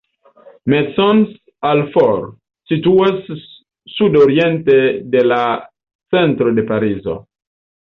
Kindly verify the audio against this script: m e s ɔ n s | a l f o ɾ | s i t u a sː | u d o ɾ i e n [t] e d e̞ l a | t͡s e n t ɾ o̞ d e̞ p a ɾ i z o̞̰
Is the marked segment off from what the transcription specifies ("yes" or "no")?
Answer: no